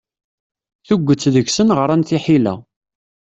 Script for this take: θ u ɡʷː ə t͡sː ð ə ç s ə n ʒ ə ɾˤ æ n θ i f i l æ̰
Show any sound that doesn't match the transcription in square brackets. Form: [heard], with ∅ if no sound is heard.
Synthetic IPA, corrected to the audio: θ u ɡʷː ə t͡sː ð ə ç s ə n [ʁ] ə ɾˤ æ n θ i [ħ] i l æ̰